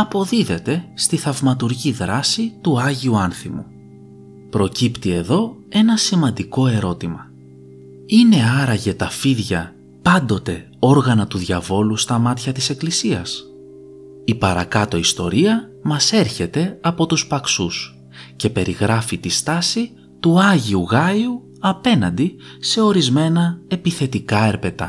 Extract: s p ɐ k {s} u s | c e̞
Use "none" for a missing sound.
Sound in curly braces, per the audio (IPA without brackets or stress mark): s